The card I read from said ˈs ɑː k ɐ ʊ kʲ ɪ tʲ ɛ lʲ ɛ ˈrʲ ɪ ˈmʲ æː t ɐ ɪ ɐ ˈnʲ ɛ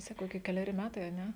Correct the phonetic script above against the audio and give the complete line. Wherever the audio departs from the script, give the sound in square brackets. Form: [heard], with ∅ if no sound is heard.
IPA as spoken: ˈs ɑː k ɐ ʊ kʲ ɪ [kʲ] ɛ lʲ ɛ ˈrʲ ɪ ˈmʲ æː t ɐ ɪ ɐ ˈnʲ ɛ